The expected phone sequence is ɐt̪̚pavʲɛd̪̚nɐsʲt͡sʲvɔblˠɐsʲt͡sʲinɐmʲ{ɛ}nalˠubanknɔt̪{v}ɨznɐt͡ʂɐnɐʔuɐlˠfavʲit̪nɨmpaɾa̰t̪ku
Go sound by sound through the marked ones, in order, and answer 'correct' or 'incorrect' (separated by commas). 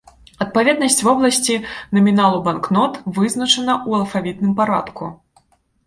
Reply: incorrect, correct